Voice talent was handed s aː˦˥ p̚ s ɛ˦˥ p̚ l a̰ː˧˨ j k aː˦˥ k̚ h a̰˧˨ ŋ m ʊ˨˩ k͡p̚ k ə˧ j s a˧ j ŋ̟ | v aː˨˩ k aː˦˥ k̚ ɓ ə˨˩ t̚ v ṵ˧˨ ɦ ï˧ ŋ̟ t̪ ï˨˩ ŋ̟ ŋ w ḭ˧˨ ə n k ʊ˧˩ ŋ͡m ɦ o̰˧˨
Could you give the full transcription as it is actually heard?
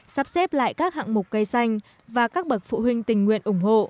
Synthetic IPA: s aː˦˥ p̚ s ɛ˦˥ p̚ l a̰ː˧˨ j k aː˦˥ k̚ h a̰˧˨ ŋ m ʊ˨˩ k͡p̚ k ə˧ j s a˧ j ŋ̟ | v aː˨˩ k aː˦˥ k̚ ɓ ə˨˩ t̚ f ṵ˧˨ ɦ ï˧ ŋ̟ t̪ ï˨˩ ŋ̟ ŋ w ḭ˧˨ ə n ʔ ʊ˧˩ ŋ͡m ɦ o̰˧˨